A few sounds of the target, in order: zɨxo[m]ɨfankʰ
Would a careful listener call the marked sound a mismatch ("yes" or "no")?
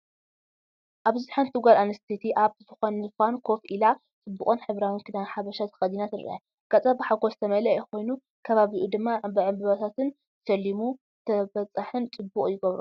yes